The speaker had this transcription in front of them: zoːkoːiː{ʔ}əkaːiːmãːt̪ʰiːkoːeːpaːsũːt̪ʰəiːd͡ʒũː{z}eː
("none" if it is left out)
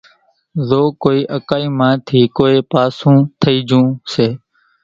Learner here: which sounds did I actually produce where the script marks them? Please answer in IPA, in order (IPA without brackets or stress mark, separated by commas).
ʔ, s